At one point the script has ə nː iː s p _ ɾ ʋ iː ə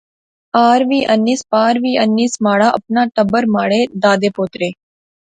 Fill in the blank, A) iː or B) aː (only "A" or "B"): B